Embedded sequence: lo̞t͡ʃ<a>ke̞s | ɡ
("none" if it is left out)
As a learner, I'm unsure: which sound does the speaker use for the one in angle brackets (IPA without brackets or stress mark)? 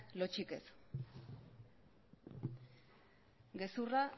i